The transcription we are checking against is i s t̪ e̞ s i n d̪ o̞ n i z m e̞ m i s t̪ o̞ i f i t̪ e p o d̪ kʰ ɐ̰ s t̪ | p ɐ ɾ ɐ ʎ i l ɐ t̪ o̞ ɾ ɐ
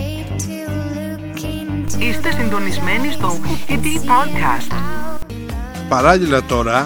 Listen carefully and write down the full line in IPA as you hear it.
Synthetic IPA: i s t̪ e̞ s i n d̪ o̞ n i z m e̞ n i s t̪ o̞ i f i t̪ i p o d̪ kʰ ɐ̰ s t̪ | p ɐ ɾ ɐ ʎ i l ɐ t̪ o̞ ɾ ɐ